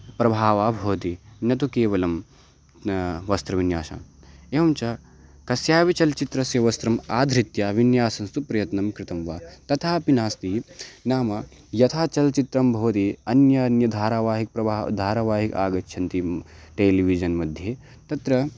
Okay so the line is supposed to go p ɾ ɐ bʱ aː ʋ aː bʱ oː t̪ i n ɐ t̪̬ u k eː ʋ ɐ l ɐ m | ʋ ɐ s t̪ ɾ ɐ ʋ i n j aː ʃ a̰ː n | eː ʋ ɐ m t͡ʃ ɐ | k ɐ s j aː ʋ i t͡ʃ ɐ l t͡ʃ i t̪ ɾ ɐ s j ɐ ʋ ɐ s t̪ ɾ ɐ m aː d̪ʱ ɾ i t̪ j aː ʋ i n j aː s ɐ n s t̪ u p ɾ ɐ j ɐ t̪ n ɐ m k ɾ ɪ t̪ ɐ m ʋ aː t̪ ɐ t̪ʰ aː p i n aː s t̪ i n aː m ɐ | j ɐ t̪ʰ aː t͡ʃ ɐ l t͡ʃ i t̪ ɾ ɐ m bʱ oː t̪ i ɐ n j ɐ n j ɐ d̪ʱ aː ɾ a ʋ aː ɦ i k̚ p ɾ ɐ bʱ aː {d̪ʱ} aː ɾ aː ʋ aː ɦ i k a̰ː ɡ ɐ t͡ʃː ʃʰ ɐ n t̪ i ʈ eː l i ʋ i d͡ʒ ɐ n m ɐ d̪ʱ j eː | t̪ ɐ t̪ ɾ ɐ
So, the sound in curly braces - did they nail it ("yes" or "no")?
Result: yes